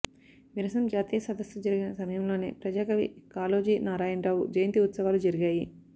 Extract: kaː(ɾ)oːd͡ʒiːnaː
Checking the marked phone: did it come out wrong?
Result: yes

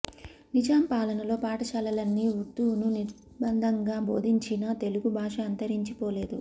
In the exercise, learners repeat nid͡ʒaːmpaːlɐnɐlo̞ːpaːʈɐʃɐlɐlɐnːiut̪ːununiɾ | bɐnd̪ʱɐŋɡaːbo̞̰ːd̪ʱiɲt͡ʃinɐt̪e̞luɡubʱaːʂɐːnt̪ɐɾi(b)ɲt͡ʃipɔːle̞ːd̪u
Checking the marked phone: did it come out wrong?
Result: yes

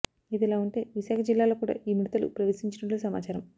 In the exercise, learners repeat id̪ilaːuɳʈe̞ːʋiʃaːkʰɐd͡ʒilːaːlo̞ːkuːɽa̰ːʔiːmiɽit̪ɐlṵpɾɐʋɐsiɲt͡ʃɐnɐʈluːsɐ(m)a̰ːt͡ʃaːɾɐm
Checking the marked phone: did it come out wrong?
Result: no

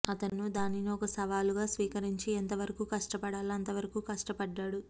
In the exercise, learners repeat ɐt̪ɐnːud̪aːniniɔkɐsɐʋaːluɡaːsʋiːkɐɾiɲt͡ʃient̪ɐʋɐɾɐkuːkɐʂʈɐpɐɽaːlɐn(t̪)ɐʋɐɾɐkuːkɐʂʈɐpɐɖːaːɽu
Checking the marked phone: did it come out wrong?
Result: no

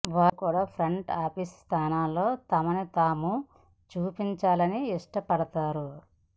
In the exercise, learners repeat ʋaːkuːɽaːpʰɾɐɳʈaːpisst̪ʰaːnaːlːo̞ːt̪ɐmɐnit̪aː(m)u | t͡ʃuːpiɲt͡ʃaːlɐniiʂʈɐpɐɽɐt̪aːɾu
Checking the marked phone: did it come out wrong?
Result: no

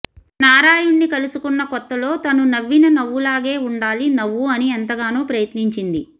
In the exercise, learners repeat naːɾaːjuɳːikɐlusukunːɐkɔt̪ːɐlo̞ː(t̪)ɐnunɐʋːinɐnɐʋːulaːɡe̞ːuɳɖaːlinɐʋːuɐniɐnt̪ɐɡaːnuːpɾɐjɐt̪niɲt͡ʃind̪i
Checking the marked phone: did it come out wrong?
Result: no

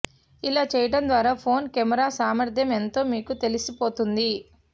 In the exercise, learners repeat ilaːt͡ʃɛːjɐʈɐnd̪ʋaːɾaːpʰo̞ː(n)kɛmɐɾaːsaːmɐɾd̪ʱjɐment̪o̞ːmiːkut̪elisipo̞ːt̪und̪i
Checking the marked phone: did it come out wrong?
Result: no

